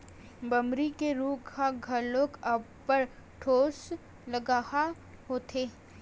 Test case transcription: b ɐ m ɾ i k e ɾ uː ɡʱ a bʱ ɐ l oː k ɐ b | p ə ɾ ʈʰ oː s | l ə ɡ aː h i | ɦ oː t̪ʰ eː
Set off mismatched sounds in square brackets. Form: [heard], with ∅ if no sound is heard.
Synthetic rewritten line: b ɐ m ɾ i k e ɾ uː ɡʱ a [ɡʱ] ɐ l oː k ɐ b | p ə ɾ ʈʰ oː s | l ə ɡ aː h [a] | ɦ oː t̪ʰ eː